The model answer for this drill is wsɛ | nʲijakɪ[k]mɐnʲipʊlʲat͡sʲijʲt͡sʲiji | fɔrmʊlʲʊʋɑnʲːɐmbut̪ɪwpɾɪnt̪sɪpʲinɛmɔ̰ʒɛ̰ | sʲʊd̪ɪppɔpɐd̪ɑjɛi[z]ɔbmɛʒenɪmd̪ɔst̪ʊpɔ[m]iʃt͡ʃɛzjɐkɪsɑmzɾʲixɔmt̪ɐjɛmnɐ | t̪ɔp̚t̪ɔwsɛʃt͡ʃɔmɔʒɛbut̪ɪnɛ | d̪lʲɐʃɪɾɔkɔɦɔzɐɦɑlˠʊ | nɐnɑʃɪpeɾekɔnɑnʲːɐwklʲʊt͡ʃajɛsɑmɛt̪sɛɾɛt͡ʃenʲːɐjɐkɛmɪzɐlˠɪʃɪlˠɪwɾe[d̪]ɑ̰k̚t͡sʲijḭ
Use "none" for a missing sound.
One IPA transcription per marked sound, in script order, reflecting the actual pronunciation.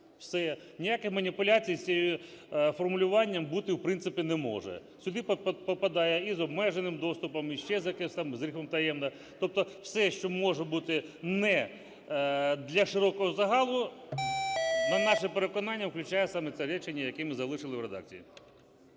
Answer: x, z, m, d̪

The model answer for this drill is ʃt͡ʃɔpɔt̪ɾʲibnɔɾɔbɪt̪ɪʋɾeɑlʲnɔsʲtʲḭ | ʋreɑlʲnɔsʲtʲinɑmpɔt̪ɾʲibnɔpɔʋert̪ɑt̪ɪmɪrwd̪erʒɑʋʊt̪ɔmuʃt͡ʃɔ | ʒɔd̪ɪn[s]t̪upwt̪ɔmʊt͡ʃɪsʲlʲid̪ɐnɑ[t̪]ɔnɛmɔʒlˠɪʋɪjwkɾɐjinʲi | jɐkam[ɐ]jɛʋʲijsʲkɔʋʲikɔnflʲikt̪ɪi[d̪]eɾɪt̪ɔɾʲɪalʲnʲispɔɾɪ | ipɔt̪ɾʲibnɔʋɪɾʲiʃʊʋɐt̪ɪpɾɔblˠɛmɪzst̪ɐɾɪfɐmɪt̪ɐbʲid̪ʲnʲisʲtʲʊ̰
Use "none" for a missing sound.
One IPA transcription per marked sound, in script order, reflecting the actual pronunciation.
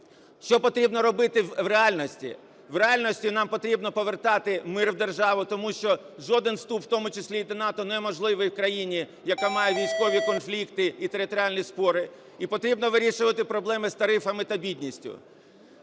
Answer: s, t̪, ɑ, t̪

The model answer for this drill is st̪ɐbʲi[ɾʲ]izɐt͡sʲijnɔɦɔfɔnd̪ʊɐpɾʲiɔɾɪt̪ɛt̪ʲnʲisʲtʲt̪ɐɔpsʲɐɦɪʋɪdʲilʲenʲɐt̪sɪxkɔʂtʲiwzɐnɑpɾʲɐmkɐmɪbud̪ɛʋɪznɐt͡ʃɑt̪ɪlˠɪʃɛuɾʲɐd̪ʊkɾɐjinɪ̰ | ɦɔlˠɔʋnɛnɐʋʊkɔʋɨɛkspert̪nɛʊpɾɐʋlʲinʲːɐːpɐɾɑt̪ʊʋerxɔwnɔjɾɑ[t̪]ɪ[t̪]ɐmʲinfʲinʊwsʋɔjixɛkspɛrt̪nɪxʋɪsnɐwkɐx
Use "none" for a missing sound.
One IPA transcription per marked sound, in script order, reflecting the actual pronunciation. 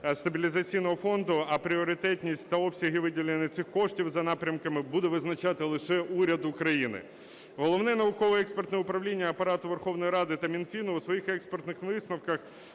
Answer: lʲ, d̪, t̪

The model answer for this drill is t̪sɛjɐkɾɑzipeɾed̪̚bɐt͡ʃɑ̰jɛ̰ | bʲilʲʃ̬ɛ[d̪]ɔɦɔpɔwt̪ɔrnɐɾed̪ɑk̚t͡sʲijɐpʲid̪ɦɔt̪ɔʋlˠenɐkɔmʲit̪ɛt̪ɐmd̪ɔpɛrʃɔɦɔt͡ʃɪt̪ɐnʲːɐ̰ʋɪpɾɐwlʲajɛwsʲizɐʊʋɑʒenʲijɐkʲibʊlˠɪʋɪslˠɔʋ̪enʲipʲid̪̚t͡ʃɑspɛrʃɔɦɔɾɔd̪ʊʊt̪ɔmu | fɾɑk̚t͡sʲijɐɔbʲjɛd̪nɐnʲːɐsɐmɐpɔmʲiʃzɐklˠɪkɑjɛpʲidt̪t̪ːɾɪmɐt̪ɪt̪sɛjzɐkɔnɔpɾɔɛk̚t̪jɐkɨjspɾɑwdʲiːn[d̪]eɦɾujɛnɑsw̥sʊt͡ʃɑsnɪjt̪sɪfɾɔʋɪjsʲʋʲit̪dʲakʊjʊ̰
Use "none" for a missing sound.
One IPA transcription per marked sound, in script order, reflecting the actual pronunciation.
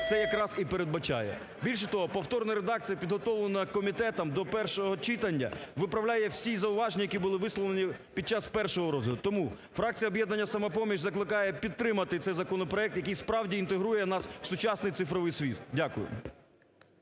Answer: t̪, t̪

